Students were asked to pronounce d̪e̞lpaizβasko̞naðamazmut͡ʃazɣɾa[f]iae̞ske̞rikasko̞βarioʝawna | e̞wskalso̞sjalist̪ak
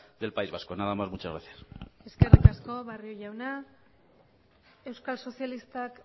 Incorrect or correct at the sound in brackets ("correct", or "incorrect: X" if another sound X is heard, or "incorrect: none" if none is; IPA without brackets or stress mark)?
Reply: incorrect: θ